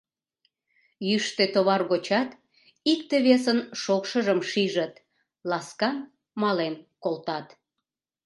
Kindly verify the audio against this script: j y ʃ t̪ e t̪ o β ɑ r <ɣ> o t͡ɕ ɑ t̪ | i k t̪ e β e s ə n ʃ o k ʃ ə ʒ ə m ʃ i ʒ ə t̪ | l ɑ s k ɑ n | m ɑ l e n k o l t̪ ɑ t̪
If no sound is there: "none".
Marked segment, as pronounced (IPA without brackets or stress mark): ɣ